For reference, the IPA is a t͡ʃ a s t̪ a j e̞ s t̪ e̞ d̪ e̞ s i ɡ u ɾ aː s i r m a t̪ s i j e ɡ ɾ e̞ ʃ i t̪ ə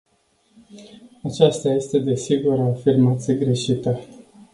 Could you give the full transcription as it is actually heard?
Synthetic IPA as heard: a t͡ʃ a s t̪ a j e̞ s t̪ e̞ d̪ e̞ s i ɡ u ɾ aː f i r m a t̪ s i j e ɡ ɾ e̞ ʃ i t̪ ə